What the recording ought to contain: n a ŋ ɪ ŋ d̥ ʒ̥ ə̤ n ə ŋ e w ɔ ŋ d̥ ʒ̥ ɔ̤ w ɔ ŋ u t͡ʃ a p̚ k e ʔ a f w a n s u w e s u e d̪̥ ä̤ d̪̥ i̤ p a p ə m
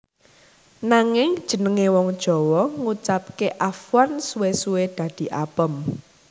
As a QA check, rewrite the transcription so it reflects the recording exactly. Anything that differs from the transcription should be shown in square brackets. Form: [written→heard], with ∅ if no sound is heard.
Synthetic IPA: n a ŋ ɪ ŋ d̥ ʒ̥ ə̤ n ə ŋ e w ɔ ŋ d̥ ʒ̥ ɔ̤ w ɔ ŋ u t͡ʃ a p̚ k e ʔ a f w a n s u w e s u e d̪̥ ä̤ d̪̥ i̤ [p→ʔ] a p ə m